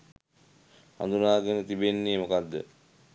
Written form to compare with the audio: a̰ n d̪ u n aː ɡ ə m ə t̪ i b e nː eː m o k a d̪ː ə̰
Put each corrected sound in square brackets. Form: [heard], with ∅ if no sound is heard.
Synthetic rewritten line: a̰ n d̪ u n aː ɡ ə [n] ə t̪ i b e nː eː m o k a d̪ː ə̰

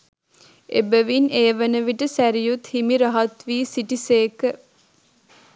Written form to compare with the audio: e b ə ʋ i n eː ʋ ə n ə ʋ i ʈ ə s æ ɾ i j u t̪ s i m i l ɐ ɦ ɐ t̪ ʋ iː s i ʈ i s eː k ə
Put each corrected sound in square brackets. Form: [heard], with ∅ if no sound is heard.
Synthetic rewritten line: e b ə ʋ i n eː ʋ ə n ə ʋ i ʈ ə s æ ɾ i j u t̪ [h] i m i [ɾ] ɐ ɦ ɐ t̪ ʋ iː s i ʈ i s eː k ə

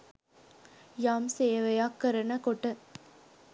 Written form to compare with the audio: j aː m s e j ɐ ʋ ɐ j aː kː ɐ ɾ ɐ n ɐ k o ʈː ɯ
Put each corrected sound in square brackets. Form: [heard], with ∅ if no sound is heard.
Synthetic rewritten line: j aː m s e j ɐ ʋ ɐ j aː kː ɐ ɾ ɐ n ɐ k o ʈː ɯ

